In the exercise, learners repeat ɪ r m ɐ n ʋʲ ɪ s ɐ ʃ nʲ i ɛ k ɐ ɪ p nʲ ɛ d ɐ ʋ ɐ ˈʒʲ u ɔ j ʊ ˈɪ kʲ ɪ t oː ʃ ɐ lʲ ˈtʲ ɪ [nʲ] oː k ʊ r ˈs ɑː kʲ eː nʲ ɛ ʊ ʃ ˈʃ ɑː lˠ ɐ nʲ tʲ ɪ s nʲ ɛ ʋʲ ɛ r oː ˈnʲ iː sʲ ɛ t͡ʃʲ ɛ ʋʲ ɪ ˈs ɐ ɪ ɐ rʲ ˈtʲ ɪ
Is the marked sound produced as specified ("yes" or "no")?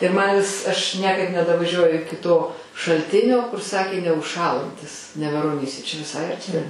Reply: yes